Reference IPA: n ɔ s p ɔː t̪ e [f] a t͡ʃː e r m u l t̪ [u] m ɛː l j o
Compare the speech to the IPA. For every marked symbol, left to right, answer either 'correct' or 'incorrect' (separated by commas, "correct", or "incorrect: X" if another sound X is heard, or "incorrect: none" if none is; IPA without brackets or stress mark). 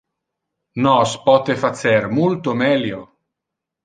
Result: correct, incorrect: o